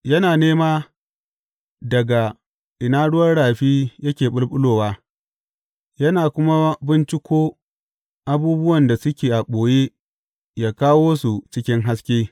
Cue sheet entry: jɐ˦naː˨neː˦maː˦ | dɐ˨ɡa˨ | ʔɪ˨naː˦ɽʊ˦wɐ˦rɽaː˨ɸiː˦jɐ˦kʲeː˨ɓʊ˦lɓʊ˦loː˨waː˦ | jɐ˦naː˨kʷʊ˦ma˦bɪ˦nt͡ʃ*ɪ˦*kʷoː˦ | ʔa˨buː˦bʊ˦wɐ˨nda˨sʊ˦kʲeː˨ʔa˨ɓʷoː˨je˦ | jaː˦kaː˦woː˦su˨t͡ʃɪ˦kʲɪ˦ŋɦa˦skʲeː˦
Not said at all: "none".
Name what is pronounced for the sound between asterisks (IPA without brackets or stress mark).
ɪ˦